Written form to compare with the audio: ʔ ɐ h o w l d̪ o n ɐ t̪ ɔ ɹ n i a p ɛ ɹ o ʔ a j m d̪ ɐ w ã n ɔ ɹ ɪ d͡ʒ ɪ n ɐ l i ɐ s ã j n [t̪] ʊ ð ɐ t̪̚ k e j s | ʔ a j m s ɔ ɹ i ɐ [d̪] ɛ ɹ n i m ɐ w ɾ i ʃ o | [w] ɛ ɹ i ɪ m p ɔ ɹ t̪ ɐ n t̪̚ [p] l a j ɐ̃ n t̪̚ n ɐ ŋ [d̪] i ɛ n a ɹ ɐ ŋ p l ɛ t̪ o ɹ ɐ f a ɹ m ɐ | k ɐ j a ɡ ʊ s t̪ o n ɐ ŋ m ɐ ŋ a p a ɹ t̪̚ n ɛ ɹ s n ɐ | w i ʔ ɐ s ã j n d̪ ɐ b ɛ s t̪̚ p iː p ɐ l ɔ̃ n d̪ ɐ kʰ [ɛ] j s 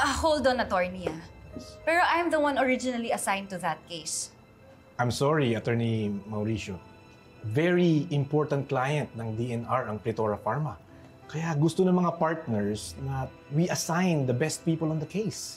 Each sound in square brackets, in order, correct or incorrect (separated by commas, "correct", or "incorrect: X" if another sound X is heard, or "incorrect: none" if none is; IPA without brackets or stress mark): correct, incorrect: t̪, incorrect: v, incorrect: k, correct, incorrect: e